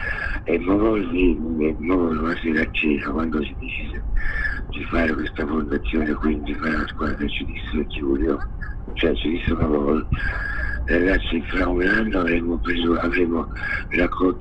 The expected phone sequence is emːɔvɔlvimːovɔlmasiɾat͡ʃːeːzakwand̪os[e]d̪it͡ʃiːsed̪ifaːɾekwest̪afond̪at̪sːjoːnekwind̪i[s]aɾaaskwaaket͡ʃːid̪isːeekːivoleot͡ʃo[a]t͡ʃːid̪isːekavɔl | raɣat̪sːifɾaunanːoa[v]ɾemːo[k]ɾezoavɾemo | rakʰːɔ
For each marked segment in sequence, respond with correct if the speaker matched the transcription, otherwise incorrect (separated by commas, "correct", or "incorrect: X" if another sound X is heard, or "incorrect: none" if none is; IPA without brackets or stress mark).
incorrect: i, incorrect: f, incorrect: ɛ, correct, incorrect: p